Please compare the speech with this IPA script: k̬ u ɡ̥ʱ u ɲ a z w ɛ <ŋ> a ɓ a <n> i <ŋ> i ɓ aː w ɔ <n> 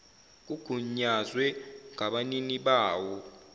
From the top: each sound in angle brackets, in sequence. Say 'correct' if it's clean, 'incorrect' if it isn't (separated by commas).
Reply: correct, correct, incorrect, incorrect